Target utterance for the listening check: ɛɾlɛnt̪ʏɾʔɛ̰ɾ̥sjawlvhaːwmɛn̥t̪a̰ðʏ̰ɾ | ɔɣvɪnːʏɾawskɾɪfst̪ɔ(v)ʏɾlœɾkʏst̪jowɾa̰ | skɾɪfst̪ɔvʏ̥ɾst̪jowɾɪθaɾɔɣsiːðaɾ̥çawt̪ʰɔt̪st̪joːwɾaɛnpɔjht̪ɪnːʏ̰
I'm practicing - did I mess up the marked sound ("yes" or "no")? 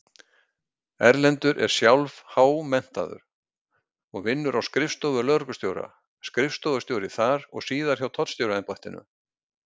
no